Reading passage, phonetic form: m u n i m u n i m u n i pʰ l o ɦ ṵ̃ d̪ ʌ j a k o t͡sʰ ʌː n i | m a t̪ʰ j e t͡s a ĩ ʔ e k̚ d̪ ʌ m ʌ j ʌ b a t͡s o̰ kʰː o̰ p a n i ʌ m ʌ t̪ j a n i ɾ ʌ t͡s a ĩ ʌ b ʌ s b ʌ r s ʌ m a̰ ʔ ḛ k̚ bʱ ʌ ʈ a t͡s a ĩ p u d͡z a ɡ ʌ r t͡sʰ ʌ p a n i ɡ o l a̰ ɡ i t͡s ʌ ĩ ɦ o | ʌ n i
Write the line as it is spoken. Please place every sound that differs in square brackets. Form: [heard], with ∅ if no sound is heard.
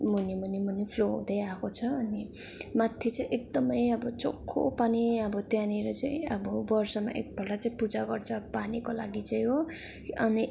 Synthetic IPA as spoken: m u n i m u n i m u n i pʰ l o ɦ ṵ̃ d̪ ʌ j a k o t͡sʰ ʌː n i | m a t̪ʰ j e t͡s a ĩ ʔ e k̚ d̪ ʌ m ʌ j ʌ b [ʌ] t͡s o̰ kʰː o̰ p a n i ʌ [b] ʌ t̪ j a n i ɾ ʌ t͡s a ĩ ʌ b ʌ [∅] b ʌ r s ʌ m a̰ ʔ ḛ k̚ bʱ ʌ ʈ a t͡s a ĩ p u d͡z a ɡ ʌ r t͡sʰ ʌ p a n i [k] o l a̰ ɡ i t͡s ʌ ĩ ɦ o | ʌ n i